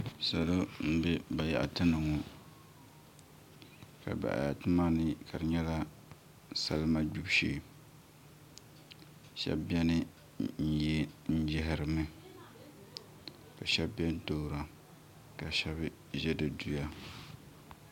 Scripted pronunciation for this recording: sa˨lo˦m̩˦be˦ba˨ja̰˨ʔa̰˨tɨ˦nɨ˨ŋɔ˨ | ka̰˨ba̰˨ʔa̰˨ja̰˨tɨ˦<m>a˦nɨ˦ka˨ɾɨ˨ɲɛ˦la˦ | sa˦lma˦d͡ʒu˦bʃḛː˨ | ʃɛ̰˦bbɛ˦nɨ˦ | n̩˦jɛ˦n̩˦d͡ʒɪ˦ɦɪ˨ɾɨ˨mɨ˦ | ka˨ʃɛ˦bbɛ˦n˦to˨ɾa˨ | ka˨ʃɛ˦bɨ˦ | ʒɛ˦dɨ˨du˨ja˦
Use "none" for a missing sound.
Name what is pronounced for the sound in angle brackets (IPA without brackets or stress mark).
m